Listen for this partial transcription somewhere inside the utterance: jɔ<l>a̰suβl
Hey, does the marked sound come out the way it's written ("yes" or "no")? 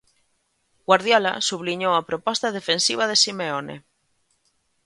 yes